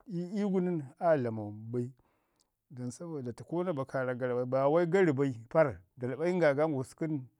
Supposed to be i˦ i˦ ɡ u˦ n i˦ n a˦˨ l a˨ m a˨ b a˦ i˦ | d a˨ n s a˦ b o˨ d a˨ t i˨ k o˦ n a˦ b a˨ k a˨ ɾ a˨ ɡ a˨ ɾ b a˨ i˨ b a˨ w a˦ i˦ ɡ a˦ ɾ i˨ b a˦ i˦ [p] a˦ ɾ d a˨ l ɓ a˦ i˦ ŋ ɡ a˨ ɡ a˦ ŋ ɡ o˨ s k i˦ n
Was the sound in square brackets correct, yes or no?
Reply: yes